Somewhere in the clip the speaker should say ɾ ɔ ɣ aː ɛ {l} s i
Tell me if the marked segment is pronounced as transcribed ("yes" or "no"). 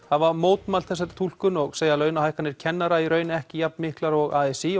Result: no